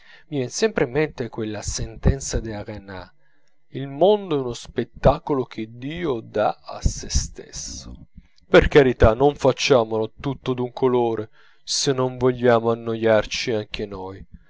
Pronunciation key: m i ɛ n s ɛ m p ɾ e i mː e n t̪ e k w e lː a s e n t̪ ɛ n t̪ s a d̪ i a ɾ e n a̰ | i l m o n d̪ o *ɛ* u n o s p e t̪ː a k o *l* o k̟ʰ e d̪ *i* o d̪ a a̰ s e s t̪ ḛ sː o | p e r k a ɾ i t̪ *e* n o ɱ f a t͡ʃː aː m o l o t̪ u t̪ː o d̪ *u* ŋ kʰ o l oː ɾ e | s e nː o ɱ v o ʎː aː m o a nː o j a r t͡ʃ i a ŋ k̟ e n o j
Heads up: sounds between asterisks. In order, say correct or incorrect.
correct, correct, incorrect, incorrect, correct

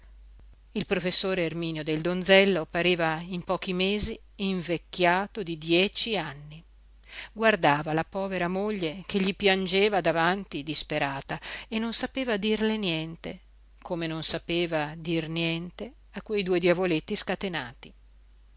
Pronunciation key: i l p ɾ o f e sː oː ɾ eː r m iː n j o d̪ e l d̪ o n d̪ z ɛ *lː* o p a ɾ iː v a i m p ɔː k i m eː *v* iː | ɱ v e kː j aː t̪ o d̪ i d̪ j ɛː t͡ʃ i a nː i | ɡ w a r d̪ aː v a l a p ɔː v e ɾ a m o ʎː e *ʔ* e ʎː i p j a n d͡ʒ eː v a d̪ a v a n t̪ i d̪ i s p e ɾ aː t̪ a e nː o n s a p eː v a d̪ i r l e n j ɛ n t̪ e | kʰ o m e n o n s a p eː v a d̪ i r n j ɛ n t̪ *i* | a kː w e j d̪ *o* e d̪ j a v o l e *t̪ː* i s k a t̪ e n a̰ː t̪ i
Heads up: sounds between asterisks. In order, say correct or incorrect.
correct, incorrect, incorrect, incorrect, incorrect, correct

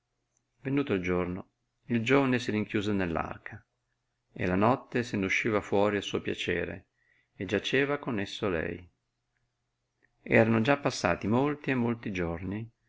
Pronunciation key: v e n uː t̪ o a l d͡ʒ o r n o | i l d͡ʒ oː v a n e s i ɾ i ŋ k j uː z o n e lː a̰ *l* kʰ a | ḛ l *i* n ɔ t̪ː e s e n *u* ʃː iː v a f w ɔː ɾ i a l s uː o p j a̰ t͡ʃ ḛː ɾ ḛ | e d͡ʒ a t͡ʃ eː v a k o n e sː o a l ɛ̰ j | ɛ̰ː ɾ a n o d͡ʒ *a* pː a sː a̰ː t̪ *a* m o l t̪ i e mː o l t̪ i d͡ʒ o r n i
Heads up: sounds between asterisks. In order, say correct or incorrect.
incorrect, incorrect, correct, correct, incorrect

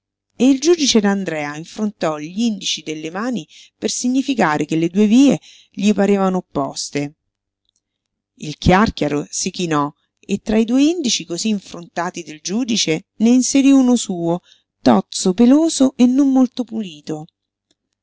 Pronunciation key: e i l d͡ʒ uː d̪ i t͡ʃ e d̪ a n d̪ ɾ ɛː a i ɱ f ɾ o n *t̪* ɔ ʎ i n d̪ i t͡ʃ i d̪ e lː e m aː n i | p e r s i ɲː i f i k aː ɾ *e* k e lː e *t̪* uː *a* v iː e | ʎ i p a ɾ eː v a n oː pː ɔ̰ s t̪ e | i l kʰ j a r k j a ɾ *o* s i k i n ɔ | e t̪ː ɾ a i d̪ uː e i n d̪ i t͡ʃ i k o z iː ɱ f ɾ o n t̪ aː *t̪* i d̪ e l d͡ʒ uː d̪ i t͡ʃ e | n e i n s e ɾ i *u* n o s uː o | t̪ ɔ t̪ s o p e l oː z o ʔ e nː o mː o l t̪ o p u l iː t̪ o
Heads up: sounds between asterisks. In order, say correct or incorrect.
correct, correct, incorrect, incorrect, correct, correct, correct

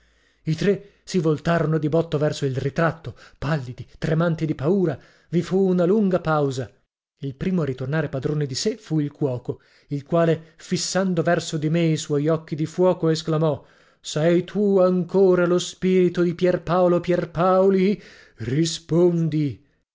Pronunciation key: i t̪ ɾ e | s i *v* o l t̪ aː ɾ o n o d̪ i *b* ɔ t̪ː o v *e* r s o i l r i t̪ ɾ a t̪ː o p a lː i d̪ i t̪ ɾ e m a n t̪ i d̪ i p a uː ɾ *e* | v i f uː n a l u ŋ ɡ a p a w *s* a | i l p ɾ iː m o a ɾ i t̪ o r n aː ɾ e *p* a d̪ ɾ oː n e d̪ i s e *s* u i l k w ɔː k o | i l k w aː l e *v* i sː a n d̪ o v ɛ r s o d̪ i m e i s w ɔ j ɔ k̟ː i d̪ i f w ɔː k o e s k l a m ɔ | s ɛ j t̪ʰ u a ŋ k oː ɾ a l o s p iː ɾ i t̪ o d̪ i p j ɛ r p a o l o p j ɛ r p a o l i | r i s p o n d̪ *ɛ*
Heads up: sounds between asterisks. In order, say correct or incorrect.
correct, correct, incorrect, incorrect, incorrect, correct, incorrect, incorrect, incorrect

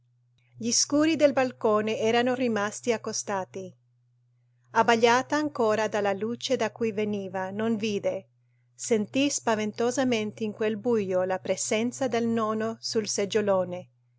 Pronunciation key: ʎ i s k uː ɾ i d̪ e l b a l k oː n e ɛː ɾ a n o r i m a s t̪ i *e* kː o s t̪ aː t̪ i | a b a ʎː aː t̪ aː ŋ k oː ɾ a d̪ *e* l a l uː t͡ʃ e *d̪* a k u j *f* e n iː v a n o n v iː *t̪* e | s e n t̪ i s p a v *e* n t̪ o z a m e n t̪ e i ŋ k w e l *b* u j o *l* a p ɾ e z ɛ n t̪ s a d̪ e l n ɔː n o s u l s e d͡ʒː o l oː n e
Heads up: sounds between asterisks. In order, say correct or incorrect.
incorrect, incorrect, correct, incorrect, incorrect, correct, correct, correct

